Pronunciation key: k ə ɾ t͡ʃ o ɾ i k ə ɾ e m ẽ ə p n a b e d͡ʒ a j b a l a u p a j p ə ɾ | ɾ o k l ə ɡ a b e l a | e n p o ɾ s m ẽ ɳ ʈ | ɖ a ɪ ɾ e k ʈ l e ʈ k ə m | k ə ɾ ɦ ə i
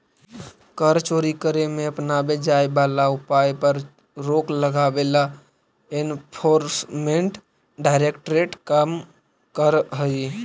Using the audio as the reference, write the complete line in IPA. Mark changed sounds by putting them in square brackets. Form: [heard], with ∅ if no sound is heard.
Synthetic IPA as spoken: k ə ɾ t͡ʃ o ɾ i k ə ɾ e m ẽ ə p n a b e d͡ʒ a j b a l a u p a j p ə ɾ | ɾ o k l ə ɡ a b e l a | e n [pʰ] o ɾ s m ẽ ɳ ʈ | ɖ a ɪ ɾ e k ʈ [ɾ] e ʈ k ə m | k ə ɾ ɦ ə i